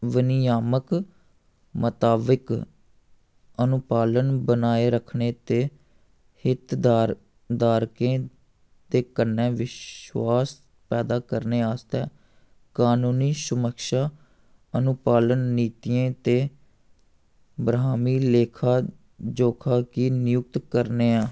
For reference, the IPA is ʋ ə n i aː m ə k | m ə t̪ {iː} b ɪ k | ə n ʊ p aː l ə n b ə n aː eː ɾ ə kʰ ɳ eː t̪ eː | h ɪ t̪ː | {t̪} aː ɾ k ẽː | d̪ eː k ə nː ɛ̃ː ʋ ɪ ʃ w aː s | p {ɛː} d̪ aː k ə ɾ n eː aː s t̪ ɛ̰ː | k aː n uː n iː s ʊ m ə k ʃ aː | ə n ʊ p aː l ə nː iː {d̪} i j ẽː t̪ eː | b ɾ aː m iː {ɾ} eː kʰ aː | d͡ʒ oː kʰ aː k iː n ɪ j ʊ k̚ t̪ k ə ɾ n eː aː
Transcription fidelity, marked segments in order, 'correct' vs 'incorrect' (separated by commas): incorrect, incorrect, correct, incorrect, incorrect